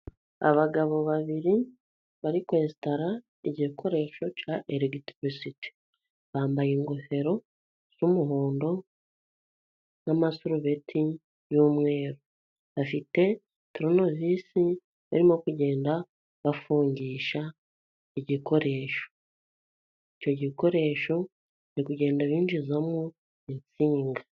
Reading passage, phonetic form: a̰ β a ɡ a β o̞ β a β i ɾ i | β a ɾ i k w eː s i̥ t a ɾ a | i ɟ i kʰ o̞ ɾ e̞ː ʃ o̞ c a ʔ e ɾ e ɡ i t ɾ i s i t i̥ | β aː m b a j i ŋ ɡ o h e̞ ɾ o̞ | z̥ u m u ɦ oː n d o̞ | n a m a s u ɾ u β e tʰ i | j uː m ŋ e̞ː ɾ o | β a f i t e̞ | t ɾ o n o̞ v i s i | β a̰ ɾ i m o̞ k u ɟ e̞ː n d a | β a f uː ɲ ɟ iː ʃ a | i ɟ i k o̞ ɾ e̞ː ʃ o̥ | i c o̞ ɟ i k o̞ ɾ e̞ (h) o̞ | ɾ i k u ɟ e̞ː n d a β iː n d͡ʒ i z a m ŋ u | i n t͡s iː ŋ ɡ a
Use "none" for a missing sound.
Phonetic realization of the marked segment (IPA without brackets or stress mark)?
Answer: ʃ